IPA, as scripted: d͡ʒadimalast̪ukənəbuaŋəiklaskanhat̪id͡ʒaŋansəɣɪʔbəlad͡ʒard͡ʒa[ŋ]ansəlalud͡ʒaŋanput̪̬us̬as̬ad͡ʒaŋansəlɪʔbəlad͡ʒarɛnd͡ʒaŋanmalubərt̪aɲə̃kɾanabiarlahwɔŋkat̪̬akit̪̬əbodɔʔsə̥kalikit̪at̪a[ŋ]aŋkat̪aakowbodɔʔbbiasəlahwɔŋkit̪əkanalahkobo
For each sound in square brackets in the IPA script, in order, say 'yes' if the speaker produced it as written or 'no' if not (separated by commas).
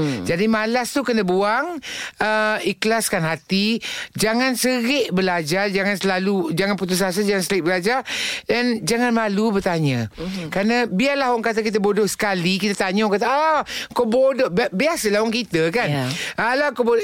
yes, no